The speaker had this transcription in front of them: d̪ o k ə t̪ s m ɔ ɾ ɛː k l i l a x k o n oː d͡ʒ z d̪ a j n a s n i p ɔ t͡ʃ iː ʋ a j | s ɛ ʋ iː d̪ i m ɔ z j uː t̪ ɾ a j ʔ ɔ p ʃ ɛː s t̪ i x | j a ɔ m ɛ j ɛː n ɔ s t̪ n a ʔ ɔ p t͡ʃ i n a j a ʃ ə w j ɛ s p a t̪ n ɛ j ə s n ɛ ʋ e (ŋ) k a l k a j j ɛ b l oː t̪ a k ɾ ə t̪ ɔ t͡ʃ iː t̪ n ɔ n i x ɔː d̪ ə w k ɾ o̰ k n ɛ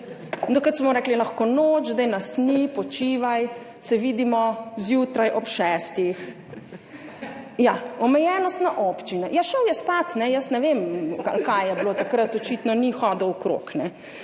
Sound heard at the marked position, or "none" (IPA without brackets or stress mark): m